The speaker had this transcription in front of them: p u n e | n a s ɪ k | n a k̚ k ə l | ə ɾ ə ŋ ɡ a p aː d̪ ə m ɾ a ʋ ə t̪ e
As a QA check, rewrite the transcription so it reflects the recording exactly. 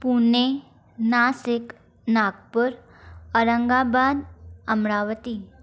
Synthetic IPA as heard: p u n e | n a s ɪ k | n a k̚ p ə ɾ | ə ɾ ə ŋ ɡ a b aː d̪ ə m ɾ a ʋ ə t̪ i